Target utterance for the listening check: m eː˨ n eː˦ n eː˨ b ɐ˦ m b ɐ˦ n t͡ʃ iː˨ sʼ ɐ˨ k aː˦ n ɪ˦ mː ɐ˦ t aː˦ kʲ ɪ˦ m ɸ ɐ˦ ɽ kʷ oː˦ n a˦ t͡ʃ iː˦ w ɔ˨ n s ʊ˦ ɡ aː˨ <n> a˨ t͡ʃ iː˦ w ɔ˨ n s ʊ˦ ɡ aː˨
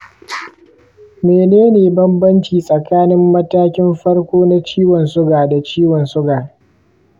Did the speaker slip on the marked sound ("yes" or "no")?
yes